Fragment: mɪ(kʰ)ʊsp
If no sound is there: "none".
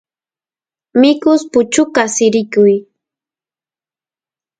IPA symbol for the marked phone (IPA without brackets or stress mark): k